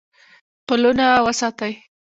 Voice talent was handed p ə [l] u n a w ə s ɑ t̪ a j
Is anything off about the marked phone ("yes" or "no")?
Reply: no